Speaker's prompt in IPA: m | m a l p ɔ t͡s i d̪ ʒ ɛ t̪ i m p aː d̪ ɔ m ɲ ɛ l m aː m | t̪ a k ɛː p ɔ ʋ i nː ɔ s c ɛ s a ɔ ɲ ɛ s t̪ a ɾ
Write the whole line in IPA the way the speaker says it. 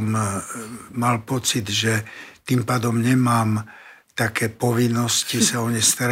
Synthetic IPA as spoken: m | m a l p ɔ t͡s i d̪ ʒ ɛ t̪ i m p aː d̪ ɔ m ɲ ɛ m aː m | t̪ a k ɛː p ɔ ʋ i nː ɔ s c i s a ɔ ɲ ɛ s t̪ a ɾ